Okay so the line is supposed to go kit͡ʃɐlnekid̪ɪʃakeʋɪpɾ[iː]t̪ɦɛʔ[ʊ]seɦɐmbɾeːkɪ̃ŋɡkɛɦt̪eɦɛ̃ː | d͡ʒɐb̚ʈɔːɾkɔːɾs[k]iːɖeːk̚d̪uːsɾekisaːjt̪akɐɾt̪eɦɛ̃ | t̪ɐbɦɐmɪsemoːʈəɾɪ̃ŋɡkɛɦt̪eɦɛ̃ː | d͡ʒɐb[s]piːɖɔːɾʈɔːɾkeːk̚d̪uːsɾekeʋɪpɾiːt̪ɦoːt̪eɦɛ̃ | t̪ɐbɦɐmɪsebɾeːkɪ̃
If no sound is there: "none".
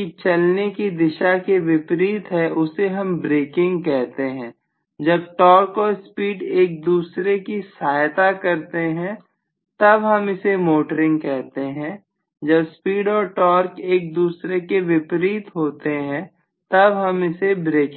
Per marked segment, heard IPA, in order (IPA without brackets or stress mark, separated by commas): iː, ʊ, p, s